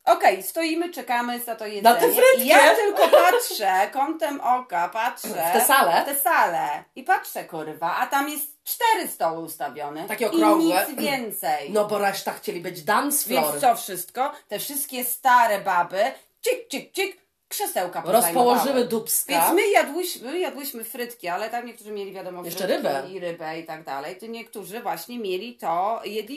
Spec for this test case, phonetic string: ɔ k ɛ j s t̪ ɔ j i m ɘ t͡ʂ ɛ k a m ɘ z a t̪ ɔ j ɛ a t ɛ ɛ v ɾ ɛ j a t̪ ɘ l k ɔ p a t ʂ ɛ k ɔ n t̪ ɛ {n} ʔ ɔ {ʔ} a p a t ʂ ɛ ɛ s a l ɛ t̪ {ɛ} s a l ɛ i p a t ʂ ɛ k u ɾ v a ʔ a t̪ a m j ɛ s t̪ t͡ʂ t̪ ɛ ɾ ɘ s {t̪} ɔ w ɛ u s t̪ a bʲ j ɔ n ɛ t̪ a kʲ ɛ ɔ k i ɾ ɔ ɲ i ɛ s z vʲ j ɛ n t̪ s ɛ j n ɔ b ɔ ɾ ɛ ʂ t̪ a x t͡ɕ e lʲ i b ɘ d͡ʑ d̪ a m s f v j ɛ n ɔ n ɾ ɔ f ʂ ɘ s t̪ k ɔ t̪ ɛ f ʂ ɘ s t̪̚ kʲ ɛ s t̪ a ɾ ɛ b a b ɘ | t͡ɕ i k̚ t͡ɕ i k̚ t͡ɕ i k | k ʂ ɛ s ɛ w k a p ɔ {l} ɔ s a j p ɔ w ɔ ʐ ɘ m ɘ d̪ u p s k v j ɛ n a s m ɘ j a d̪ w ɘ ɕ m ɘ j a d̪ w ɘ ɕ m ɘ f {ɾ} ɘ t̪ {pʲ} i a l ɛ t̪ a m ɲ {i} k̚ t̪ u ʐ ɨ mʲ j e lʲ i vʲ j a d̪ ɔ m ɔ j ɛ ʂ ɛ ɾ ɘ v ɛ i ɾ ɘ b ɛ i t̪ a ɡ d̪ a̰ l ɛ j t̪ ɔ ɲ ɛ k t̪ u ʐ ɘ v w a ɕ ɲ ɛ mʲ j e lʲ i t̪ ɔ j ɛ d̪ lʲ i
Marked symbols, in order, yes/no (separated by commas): no, no, yes, yes, no, yes, no, no